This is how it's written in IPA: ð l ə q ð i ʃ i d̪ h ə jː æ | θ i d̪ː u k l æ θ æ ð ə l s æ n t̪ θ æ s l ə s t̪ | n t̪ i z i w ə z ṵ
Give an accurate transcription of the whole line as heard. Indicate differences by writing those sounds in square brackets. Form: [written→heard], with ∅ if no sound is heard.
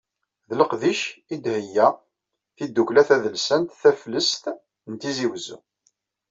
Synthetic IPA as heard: ð l ə q ð i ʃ i d̪ h ə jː æ | θ i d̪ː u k l æ θ æ ð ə l s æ n t̪ θ æ [s→f] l ə s t̪ | n t̪ i z i w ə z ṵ